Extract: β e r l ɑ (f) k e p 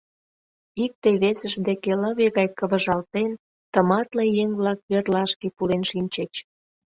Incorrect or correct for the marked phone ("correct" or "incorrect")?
incorrect